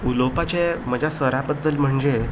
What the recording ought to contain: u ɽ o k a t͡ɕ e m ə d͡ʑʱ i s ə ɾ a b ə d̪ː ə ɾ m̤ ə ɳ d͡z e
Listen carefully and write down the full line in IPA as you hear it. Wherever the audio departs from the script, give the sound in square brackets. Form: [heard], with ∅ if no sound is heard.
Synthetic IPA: u [l] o [p] a t͡ɕ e m ə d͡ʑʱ [a] s ə ɾ a b ə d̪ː ə [l] m̤ ə ɳ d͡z e